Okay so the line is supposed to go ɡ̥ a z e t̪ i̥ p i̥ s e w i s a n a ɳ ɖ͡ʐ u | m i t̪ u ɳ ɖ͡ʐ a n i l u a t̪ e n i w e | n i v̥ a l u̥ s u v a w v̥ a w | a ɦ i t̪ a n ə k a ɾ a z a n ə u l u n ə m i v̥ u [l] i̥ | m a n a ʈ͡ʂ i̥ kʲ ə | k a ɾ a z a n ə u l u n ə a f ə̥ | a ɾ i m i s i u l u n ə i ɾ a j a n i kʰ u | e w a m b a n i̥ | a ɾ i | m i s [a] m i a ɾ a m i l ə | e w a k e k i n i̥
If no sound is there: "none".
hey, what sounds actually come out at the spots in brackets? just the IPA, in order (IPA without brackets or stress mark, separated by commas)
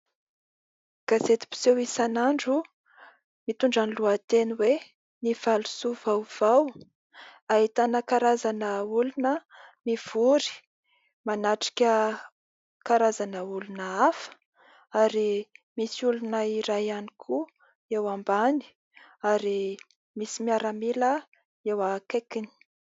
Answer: ɾ, i